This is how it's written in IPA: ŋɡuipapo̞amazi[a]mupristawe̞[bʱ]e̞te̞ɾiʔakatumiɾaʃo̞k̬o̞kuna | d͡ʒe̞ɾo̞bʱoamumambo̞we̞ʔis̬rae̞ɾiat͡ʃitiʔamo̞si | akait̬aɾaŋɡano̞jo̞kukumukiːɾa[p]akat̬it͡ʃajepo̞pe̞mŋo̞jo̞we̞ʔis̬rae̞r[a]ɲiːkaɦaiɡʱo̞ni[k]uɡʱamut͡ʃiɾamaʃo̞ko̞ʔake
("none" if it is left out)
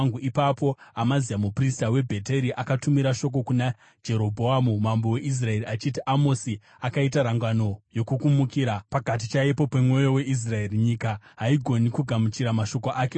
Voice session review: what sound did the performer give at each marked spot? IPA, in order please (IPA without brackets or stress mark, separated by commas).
a, bʱ, p, i, k